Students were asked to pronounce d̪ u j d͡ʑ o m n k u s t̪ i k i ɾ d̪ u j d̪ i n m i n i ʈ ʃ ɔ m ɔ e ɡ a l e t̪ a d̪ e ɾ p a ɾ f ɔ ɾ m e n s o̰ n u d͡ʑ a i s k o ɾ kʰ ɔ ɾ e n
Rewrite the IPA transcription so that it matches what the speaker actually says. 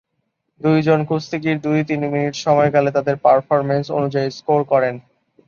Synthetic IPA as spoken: d̪ u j d͡ʑ o n k u s t̪ i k i ɾ d̪ u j t̪ i n m i n i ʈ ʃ ɔ m ɔ e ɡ a l e t̪ a d̪ e ɾ p a ɾ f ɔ ɾ m e n s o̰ n u d͡ʑ a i s k o ɾ k ɔ ɾ e n

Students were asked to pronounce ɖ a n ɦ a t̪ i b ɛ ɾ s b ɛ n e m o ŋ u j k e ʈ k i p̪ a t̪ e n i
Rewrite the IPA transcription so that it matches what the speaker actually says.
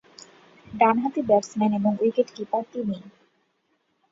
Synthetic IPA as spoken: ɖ a n ɦ a t̪ i b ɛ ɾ s m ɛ n e b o ŋ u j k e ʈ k i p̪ a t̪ i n i

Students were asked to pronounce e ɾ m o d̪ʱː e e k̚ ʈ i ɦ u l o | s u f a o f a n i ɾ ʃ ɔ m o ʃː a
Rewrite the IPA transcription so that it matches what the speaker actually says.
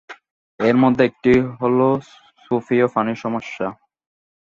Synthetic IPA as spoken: e ɾ m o d̪ʱː e e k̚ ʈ i ɦ o l o | s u f i o f a n i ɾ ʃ ɔ m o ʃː a

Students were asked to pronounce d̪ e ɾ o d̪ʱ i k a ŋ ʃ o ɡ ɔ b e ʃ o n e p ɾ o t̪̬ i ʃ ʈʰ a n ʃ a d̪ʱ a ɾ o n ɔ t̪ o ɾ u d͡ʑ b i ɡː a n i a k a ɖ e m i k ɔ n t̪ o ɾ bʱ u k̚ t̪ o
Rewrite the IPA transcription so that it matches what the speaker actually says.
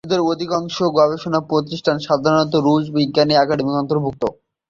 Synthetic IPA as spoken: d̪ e ɾ o d̪ʱ i k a ŋ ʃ o ɡ ɔ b e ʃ o n a p ɾ o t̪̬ i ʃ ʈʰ a n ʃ a d̪ʱ a ɾ o n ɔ t̪ o ɾ u d͡ʑ b i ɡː a n i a k a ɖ e m i k ɔ n t̪ o ɾ bʱ u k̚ t̪ o

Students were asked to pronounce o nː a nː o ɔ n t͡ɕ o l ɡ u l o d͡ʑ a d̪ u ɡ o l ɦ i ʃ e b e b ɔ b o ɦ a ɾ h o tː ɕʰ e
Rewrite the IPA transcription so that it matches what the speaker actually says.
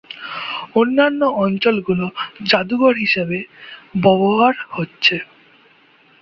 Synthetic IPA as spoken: o nː a nː o ɔ n t͡ɕ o l ɡ u l o d͡ʑ a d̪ u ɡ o ɾ ɦ i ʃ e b e b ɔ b o ɦ a ɾ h o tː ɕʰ e

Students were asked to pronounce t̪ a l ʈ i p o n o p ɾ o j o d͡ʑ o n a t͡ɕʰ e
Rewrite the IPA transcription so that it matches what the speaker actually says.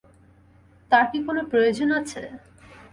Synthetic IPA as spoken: t̪ a ɾ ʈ i k o n o p ɾ o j o d͡ʑ o n a t͡ɕʰ e

